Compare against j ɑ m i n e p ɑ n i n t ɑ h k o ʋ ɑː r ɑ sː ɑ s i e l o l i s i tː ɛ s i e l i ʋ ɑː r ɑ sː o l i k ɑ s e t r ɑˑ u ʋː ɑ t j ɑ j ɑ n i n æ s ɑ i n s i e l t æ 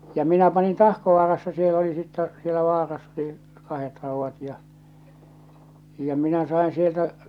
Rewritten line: j ɑ m i n æ p ɑ n i n t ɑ h k o ʋ ɑː r ɑ sː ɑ s i e l o l i s i tː ɛ s i e l æ ʋ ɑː r ɑ sː o l i k ɑ h e t r ɑˑ u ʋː ɑ t j ɑ j ɑ m i n æ s ɑ i n s i e l t æ